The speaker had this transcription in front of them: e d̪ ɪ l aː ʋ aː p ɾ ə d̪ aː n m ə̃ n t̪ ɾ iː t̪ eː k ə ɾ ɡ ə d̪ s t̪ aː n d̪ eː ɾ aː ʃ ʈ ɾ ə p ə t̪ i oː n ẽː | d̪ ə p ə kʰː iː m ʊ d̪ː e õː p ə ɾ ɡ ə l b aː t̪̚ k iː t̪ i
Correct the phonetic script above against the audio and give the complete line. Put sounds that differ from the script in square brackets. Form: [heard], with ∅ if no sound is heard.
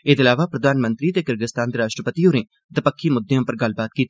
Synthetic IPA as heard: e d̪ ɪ l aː ʋ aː p ɾ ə d̪ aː n m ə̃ n t̪ ɾ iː t̪ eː k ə ɾ ɡ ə [∅] s t̪ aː n d̪ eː ɾ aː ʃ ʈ ɾ ə p ə t̪ i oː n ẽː | d̪ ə p ə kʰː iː m ʊ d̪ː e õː p ə ɾ ɡ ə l b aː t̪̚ k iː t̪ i